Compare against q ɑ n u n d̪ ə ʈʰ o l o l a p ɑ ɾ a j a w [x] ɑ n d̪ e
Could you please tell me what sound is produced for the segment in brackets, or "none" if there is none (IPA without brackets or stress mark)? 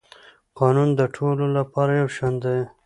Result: ʃ